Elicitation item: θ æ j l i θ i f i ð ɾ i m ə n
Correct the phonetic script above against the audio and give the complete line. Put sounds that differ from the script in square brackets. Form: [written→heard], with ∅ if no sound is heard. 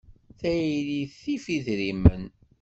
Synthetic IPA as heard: θ æ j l i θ i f i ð ɾ i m ə n

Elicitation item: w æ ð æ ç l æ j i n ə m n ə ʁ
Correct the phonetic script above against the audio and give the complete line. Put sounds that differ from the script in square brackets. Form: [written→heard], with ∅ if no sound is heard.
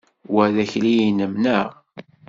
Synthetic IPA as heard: w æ ð æ ç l [æ→i] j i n ə m n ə ʁ

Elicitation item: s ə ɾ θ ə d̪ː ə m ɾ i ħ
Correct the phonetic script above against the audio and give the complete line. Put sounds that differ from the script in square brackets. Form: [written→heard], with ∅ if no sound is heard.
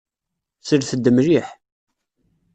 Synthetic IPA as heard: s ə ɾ θ ə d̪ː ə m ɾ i ħ

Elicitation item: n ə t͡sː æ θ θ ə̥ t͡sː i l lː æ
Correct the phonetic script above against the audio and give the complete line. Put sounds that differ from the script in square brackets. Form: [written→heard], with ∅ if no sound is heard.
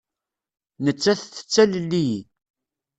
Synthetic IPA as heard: n ə t͡sː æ θ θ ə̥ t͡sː [i→æ] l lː [æ→i]

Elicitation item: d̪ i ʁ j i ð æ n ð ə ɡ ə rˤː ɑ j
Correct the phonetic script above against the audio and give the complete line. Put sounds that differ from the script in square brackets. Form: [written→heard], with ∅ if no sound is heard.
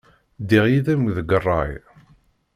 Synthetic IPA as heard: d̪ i ʁ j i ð æ [n→m] ð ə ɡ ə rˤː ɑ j

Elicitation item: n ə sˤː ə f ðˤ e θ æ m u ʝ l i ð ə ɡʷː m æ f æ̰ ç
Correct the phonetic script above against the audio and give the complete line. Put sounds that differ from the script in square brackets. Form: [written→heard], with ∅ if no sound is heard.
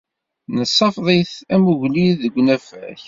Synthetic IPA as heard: n ə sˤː [ə→ɑ] f ðˤ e θ æ m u ʝ l i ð ə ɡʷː [m→n] æ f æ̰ ç

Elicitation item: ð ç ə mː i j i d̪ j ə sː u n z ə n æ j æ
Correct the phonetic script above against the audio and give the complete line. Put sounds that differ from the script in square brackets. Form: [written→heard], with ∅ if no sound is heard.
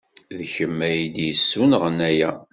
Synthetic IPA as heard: ð ç ə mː [i→æ] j i d̪ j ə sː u n [z→ʁ] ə n æ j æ

